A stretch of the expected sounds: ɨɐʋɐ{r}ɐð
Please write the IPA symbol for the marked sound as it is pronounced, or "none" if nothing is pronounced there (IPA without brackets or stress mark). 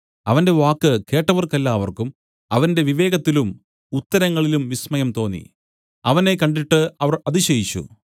r